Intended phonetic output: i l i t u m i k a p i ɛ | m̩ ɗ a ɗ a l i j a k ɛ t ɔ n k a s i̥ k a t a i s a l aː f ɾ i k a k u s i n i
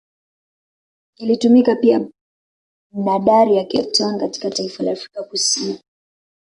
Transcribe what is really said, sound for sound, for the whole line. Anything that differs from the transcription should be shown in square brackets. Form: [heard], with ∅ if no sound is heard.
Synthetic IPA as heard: i l i t u m i k a p i [a] | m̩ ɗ a ɗ a [ɾ] i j a k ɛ t ɔ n k a [t] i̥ k a t a i [f] a l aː f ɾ i k a k u s i n i